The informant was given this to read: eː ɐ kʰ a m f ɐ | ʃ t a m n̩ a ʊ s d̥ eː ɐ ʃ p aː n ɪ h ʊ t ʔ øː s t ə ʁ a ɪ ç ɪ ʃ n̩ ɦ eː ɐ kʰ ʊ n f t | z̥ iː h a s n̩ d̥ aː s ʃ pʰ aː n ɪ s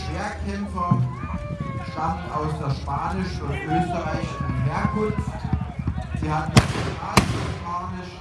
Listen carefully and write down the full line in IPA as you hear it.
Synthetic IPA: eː ɐ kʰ ɛ m f ɐ | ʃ t a m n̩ a ʊ s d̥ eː ɐ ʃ p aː n ɪ ʃ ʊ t ʔ øː s t ə ʁ a ɪ ç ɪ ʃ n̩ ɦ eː ɐ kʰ ʊ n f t | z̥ iː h a t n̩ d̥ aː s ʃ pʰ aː n ɪ ʃ

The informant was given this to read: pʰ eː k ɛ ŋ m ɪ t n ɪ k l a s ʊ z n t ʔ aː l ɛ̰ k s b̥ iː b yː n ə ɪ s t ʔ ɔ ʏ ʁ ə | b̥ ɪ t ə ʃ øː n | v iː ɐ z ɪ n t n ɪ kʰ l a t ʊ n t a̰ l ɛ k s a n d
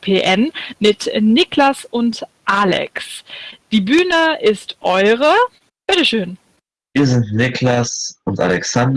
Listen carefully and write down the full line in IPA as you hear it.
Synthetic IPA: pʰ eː ʔ ɛ n m ɪ t n ɪ k l a s ʊ n t ʔ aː l ɛ̰ k s d̥ iː b yː n ə ɪ s t ʔ ɔ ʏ ʁ ə | b̥ ɪ t ə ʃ øː n | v iː ɐ z ɪ n t n ɪ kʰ l a s ʊ n t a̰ l ɛ k s a n d

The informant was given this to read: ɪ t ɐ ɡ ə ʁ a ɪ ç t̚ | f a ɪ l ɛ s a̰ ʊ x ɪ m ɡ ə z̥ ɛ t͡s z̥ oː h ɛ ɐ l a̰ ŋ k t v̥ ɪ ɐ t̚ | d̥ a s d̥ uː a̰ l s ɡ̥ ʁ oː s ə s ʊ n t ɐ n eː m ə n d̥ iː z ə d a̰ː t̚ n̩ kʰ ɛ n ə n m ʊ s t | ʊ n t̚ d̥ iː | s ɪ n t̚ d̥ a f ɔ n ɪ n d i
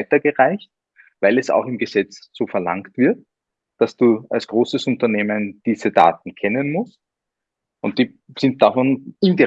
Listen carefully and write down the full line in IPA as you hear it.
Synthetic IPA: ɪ t ɐ ɡ ə ʁ a ɪ ç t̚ | v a ɪ l ɛ s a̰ ʊ x ɪ m ɡ ə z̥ ɛ t͡s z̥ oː f ɛ ɐ l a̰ ŋ k t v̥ ɪ ɐ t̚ | d̥ a s d̥ uː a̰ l s ɡ̥ ʁ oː s ə s ʊ n t ɐ n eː m ə n d̥ iː z ə d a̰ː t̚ n̩ kʰ ɛ n ə n m ʊ s t | ʊ n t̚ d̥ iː | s ɪ n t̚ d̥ a f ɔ n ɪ n d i

